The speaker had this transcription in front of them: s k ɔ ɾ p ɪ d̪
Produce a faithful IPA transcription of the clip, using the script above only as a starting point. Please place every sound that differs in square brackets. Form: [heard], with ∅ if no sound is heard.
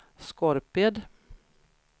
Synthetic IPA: s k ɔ ɾ p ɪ d̪